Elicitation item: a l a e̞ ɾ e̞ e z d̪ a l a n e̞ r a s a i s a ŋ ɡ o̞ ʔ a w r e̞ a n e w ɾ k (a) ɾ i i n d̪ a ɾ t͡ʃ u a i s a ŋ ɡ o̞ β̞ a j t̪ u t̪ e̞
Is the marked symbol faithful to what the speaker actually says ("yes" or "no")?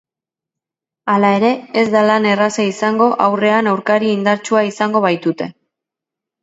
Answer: yes